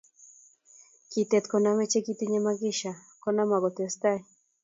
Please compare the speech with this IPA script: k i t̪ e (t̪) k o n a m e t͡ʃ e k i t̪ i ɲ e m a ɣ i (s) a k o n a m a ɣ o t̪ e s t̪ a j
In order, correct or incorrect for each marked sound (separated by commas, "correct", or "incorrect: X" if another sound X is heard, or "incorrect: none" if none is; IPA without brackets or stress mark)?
correct, incorrect: ʃ